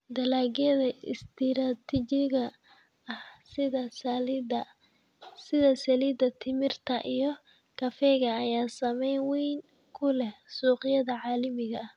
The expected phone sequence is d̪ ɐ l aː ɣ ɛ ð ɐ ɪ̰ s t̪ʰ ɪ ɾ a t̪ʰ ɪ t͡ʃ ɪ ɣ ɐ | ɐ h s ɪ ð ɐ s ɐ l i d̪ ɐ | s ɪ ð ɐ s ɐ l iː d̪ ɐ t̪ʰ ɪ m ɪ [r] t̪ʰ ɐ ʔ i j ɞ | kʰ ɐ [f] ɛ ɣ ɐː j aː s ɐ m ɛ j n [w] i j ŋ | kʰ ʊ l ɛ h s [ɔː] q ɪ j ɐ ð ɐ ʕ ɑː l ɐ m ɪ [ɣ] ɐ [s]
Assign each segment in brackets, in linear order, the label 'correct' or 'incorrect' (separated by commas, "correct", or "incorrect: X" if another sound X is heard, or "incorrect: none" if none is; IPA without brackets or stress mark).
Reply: correct, correct, correct, incorrect: uː, correct, incorrect: h